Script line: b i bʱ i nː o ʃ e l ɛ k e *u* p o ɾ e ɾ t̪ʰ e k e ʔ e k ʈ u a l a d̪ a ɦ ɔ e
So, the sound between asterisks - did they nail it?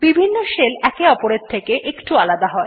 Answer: no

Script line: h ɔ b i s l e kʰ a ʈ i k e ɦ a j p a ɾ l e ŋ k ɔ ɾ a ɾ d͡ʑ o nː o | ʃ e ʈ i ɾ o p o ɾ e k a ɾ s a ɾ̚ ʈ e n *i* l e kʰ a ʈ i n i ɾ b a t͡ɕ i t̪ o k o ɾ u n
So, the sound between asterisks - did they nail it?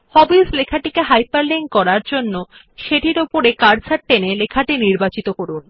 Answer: no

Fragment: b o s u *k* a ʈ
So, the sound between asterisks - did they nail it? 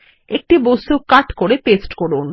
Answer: yes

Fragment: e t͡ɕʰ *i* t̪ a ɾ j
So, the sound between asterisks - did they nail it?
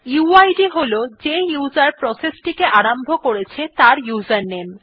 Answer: no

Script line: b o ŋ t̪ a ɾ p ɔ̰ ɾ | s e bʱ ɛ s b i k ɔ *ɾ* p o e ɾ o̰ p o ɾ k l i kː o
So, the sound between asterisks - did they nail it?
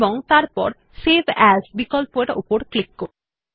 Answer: no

